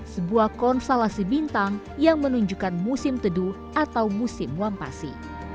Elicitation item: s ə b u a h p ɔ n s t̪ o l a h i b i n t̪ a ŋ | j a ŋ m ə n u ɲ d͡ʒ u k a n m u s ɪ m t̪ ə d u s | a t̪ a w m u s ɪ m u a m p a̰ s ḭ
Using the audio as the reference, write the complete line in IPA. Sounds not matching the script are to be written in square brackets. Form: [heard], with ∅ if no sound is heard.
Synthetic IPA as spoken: s ə b u a h [k] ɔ n s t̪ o l a [s] i b i n t̪ a ŋ | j a ŋ m ə n u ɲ d͡ʒ u k a n m u s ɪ m t̪ ə d u [∅] | a t̪ a w m u s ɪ m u a m p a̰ s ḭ